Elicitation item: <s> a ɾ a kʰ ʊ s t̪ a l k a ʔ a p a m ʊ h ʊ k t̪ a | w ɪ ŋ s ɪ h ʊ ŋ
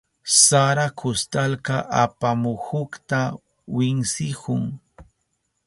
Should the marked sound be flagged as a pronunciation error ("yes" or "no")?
no